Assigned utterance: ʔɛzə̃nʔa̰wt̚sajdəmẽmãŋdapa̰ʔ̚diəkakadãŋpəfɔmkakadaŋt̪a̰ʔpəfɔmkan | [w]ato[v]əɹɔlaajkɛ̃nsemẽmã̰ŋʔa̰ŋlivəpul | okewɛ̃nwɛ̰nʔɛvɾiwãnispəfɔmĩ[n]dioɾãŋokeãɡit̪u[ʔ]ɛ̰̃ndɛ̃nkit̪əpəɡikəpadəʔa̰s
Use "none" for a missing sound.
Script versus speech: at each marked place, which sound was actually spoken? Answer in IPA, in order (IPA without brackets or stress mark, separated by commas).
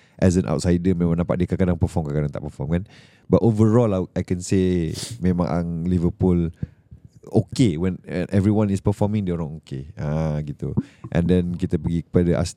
b, v, ŋ, ʔ